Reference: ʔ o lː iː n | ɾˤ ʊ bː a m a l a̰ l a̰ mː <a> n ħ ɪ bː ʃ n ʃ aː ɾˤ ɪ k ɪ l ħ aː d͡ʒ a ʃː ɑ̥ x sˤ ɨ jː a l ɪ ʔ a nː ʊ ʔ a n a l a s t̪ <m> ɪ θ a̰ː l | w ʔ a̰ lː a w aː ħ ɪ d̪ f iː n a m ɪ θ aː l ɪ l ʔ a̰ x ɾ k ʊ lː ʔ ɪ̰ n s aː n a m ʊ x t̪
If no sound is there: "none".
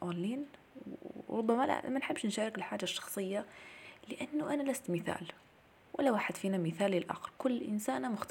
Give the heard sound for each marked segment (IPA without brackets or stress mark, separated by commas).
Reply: a, m